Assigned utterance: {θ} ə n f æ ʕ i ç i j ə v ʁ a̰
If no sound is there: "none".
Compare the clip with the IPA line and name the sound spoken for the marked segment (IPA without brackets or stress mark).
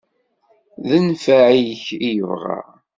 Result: ð